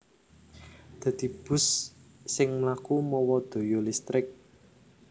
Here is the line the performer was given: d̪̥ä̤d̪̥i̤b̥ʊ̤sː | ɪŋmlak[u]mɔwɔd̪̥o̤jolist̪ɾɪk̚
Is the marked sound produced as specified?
yes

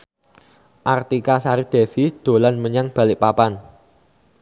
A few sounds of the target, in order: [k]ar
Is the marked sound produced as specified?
no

